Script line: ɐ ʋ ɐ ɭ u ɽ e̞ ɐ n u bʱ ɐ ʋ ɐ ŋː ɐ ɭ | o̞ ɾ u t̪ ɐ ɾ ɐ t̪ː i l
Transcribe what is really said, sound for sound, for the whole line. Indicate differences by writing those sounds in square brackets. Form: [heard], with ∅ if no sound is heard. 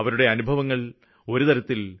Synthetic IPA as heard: ɐ ʋ ɐ [ɾ] u ɽ e̞ ɐ n u bʱ ɐ ʋ ɐ ŋː ɐ ɭ | o̞ ɾ u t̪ ɐ ɾ ɐ t̪ː i l